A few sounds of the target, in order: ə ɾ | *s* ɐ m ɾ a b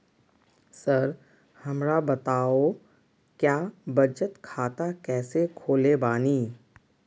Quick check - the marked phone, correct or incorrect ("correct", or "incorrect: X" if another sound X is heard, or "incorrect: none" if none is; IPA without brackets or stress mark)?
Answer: incorrect: h